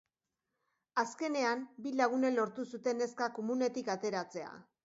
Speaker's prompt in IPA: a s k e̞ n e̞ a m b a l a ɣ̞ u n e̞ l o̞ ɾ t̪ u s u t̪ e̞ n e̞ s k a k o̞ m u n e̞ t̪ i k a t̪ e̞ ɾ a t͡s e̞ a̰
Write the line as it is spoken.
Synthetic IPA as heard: a s k e̞ n e̞ a m b i l a ɣ̞ u n e̞ l o̞ ɾ t̪ u s u t̪ e̞ n e̞ s k a k o̞ m u n e̞ t̪ i k a t̪ e̞ ɾ a t͡s e̞ a̰